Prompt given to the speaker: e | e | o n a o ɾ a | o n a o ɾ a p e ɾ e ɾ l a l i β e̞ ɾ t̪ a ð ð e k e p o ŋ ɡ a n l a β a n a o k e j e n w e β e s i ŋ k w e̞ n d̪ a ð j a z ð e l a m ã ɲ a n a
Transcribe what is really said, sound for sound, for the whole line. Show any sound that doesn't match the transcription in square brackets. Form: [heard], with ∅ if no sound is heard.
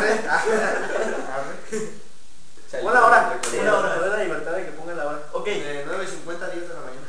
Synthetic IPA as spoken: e | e | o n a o ɾ a | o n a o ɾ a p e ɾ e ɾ l a l i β e̞ ɾ t̪ a ð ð e k e p o ŋ ɡ a n l a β a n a o k e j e n w e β e s i ŋ k w e̞ n [t̪] a ð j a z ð e l a m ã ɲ a n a